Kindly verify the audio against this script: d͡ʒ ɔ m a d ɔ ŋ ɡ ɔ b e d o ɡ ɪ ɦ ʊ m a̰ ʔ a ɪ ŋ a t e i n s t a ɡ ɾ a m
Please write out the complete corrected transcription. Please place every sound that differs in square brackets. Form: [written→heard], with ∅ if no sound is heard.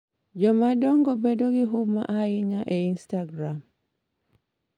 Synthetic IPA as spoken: d͡ʒ ɔ m a d ɔ ŋ ɡ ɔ b e d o ɡ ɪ ɦ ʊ m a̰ ʔ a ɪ [ŋ→ɲ] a [t→ʔ] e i n s t a ɡ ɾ a m